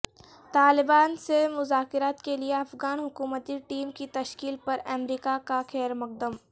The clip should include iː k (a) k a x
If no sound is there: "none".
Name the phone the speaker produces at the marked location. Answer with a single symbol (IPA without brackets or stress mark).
a